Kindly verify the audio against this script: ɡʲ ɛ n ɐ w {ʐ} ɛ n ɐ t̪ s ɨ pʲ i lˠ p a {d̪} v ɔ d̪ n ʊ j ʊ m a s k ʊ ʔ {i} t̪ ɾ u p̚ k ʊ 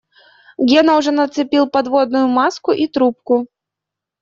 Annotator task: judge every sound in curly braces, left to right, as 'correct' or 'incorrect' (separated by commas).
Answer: correct, correct, correct